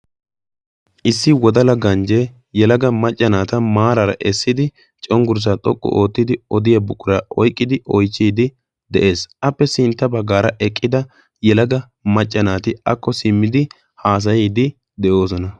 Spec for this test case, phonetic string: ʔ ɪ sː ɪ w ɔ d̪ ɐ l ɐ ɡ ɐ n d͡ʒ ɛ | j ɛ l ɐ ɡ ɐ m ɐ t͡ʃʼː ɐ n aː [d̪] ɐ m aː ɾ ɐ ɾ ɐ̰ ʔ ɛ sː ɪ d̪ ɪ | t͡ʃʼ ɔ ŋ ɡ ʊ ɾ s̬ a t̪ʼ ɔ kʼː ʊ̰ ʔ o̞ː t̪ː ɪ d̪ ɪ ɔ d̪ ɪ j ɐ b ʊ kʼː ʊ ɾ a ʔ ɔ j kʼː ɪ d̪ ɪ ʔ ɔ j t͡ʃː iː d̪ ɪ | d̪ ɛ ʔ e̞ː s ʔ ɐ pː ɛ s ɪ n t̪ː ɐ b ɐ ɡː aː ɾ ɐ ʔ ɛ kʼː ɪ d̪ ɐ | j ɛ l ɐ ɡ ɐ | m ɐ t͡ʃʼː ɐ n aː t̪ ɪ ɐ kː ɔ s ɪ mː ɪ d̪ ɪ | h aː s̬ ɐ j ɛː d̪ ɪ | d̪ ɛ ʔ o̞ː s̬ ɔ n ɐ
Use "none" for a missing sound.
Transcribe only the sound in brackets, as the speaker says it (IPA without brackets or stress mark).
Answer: t̪